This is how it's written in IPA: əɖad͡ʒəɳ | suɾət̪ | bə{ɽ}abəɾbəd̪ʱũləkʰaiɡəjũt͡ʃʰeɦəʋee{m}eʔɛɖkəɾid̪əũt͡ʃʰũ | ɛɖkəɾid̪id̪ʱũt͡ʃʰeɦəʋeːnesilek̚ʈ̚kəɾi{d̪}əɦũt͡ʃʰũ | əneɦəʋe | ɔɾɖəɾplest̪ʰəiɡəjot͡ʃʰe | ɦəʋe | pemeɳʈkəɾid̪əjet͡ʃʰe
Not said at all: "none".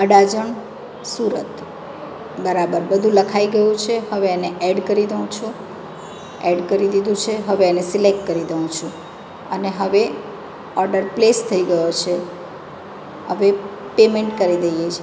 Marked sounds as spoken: ɾ, n, d̪

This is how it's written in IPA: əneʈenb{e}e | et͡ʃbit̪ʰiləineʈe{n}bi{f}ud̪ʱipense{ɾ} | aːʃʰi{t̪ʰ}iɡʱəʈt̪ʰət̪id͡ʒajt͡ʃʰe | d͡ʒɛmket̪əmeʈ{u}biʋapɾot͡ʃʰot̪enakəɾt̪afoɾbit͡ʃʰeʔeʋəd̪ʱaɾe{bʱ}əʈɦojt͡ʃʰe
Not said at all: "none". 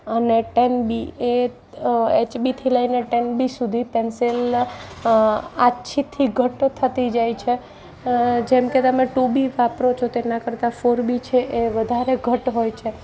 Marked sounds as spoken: i, n, s, l, t̪ʰ, u, ɡʱ

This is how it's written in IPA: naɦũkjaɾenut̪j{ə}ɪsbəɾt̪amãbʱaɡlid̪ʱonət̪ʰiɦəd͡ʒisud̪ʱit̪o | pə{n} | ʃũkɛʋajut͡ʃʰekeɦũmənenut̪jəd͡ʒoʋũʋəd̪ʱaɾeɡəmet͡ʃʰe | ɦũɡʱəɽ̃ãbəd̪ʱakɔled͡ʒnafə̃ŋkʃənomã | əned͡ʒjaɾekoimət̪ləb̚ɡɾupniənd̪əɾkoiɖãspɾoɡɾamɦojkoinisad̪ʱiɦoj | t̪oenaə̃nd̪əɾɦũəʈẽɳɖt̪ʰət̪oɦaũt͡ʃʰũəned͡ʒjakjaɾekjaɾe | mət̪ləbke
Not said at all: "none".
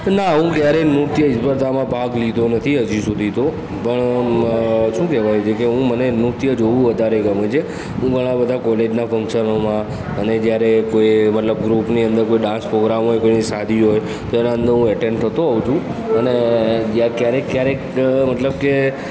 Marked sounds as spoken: ə, ɳ

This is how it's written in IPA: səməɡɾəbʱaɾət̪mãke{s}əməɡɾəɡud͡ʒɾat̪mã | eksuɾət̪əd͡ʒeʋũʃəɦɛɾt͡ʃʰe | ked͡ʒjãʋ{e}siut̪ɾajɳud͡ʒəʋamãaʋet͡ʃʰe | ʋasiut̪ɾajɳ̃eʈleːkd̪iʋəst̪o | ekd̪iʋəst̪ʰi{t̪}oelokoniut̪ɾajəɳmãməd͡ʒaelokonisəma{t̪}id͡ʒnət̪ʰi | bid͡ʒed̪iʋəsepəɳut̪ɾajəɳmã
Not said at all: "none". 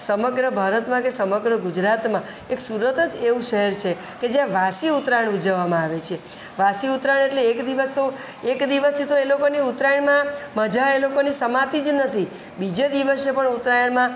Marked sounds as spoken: s, a, t̪, t̪

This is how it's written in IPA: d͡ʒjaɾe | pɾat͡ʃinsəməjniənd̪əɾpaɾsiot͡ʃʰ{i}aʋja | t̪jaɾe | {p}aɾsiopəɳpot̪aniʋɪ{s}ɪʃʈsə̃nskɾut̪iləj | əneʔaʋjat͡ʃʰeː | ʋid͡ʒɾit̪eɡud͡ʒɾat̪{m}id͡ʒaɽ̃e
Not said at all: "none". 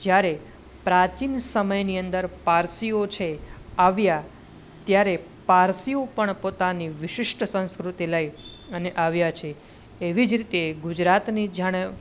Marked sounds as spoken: e, p, ʃ, n

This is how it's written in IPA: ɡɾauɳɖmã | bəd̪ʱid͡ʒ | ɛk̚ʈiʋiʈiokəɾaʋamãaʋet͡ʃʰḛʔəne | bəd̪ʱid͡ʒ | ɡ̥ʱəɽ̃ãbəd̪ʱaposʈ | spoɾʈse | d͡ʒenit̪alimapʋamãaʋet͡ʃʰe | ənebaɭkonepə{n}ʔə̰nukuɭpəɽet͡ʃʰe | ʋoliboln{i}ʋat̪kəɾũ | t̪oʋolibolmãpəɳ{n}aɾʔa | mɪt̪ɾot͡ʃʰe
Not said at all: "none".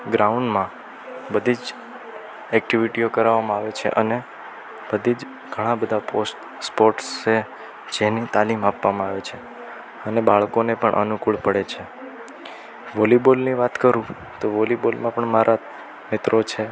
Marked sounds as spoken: ɳ, i, m

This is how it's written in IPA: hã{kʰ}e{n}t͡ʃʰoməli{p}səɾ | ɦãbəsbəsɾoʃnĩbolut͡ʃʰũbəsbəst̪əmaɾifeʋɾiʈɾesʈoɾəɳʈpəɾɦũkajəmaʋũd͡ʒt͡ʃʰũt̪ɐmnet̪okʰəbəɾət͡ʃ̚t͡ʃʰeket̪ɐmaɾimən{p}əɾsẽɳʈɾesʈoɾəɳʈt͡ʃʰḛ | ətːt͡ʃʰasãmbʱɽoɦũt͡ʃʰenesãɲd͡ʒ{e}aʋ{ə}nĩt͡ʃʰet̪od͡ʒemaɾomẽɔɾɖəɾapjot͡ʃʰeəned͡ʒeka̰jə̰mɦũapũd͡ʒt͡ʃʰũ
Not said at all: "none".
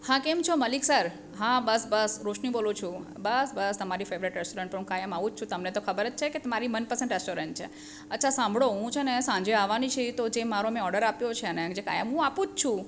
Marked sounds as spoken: k, m, k, p, e, a

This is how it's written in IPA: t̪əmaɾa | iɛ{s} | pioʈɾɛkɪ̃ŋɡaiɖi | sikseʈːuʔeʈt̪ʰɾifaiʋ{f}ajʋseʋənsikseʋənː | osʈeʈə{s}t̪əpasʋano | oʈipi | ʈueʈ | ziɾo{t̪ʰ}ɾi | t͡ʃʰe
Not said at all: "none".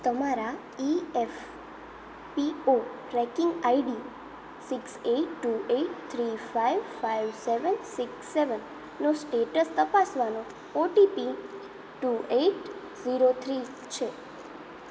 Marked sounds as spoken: f, f, s, t̪ʰ

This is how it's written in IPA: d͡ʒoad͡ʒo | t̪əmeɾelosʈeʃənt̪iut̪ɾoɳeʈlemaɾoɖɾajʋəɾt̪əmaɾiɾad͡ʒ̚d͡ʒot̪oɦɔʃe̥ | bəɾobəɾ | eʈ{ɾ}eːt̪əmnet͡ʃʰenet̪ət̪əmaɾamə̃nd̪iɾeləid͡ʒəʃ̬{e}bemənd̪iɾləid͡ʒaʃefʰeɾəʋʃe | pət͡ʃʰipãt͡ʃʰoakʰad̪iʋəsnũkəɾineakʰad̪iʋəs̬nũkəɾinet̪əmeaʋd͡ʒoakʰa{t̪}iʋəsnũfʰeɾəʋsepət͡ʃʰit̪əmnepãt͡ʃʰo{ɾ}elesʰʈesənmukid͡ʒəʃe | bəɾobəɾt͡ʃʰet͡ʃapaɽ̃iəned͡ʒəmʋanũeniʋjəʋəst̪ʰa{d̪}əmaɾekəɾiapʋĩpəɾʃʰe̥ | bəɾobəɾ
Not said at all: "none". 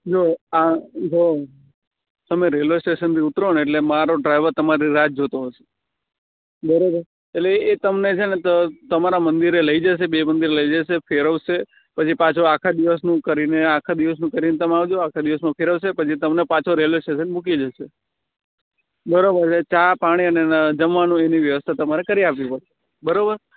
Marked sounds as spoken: l, e, d̪, ɾ, t̪

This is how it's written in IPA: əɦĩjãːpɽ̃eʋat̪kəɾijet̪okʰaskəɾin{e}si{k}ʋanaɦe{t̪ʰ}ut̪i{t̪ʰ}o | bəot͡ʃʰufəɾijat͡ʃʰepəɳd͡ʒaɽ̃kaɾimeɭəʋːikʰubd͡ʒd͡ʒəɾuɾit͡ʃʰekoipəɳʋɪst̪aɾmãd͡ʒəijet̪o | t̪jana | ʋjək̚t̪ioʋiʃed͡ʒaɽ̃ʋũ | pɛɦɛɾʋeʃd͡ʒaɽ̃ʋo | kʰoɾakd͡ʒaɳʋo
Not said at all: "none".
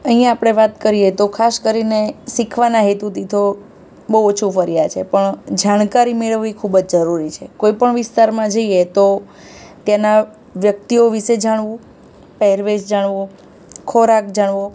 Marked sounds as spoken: e, kʰ, t̪, t̪ʰ

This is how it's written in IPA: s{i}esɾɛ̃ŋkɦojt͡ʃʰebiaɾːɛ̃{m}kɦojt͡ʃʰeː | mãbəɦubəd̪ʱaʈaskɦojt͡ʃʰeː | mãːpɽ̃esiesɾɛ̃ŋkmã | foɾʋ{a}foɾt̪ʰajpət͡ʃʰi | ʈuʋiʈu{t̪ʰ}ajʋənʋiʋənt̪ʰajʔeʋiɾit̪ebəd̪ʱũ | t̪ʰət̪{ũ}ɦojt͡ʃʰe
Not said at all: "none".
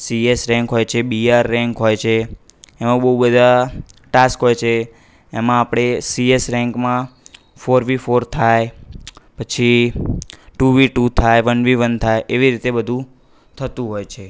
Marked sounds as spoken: i, ŋ, i, t̪ʰ, ũ

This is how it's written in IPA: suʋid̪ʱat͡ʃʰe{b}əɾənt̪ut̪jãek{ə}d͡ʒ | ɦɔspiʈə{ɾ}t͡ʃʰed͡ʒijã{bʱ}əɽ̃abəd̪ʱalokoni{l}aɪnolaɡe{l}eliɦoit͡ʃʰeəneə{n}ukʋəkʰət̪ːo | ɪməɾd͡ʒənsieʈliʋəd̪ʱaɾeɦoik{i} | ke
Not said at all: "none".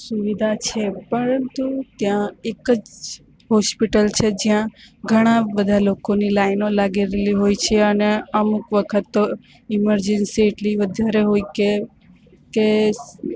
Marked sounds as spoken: p, ə, l, ɡʱ, l, ɾ, m, e

